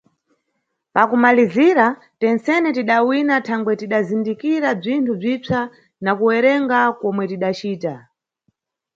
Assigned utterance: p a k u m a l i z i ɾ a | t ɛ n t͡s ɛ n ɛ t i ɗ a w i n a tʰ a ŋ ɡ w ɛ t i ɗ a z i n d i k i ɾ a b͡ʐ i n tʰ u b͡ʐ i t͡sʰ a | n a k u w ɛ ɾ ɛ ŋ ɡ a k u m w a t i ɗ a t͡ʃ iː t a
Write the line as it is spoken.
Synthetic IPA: p a k u m a l i z i ɾ a | t ɛ n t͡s ɛ n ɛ t i ɗ a w i n a tʰ a ŋ ɡ w ɛ t i ɗ a z i n d i k i ɾ a b͡ʐ i n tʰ u b͡ʐ i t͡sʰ a | n a k u w ɛ ɾ ɛ ŋ ɡ a k ɔ m w ɛ t i ɗ a t͡ʃ iː t a